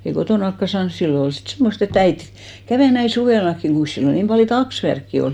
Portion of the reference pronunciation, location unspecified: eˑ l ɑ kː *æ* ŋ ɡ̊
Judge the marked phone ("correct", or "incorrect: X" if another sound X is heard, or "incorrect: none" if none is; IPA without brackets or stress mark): incorrect: i